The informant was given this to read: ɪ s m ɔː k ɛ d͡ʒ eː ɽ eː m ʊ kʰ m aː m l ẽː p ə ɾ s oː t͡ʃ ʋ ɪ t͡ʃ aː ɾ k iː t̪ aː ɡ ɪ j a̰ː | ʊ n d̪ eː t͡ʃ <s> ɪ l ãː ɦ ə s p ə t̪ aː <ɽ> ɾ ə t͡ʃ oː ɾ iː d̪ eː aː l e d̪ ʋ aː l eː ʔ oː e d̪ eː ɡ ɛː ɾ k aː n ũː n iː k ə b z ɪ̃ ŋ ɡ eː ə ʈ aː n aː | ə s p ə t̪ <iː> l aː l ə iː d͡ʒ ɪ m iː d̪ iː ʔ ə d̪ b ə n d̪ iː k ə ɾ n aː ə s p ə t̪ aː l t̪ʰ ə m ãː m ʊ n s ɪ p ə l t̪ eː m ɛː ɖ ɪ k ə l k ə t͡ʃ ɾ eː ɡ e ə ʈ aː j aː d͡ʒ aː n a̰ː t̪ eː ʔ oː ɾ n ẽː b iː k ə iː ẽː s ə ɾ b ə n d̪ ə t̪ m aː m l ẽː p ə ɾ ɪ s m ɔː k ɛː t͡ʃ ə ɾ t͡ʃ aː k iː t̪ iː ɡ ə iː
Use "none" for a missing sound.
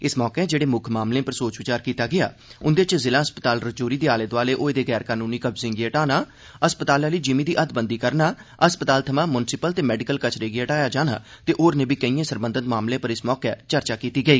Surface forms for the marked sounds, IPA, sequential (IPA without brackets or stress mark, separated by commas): z, l, aː